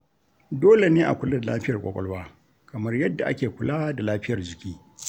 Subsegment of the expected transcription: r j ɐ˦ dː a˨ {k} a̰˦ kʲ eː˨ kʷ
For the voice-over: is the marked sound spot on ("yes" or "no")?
no